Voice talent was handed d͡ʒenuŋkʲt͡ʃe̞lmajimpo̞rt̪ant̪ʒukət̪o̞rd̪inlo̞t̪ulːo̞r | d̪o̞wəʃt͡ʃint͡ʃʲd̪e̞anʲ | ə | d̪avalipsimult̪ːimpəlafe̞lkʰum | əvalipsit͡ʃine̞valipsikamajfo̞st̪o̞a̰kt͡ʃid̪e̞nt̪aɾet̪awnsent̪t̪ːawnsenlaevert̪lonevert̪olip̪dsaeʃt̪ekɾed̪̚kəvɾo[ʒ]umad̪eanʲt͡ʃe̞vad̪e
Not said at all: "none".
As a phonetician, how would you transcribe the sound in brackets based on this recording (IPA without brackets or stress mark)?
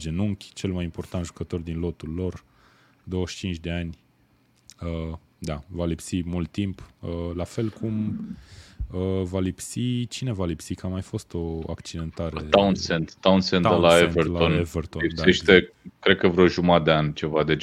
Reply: ʒ